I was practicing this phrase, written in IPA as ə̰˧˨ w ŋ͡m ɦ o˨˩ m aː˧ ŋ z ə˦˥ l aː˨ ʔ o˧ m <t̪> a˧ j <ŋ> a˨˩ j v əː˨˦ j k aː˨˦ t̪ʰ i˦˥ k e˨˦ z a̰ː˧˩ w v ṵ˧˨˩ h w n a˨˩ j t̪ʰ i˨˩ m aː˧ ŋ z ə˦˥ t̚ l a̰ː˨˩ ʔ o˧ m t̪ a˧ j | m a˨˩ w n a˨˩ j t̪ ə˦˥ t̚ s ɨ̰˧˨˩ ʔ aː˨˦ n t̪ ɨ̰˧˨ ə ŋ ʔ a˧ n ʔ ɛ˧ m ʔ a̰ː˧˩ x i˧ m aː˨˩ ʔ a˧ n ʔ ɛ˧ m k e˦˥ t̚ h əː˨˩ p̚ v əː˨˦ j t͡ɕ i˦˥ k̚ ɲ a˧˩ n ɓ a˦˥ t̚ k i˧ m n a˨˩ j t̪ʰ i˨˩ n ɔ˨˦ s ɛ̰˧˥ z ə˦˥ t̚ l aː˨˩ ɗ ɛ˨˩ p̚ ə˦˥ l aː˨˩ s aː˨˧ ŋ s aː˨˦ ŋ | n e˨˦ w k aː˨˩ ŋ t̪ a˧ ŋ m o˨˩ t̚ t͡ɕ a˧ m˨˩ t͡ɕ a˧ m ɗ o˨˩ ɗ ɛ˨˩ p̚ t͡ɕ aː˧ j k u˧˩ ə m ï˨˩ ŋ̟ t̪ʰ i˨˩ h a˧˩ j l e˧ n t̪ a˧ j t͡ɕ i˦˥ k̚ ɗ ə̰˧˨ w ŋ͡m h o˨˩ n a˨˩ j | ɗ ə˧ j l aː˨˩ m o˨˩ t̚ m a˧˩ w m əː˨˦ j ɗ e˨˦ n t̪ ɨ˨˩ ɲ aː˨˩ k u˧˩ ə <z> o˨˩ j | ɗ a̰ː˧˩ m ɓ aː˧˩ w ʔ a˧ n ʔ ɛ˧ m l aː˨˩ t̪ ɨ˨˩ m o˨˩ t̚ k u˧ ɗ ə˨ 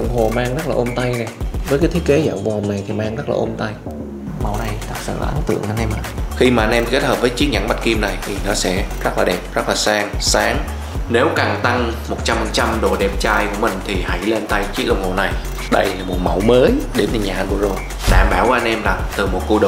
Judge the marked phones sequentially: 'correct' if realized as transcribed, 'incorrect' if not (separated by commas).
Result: correct, incorrect, correct